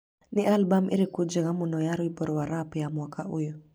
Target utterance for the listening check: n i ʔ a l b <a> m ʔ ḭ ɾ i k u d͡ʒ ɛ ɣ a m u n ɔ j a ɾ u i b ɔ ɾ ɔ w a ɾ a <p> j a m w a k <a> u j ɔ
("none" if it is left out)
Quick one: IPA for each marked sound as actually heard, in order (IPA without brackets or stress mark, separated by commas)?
a, p, a